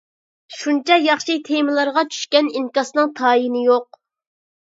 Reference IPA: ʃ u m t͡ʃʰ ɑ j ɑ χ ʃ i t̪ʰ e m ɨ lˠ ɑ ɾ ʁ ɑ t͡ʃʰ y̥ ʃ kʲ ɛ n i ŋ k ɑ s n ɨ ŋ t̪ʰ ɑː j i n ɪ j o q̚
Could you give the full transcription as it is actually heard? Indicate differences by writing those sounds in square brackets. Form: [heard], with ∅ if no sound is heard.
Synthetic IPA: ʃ u [n] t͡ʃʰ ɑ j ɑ χ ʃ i t̪ʰ e m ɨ lˠ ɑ ɾ ʁ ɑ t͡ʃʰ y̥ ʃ kʲ ɛ n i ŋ k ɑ s n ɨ ŋ t̪ʰ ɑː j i n ɪ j o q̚